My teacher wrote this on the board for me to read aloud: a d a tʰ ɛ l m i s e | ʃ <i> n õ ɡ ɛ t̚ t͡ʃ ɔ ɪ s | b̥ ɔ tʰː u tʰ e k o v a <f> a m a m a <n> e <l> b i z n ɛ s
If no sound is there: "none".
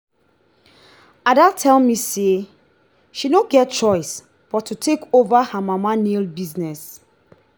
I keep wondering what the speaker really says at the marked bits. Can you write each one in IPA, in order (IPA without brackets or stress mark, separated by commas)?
i, h, n, l